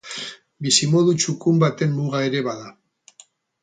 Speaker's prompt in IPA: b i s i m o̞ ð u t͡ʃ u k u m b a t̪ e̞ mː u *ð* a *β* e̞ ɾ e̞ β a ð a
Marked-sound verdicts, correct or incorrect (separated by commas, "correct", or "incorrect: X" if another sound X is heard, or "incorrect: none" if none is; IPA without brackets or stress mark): incorrect: ɣ, incorrect: none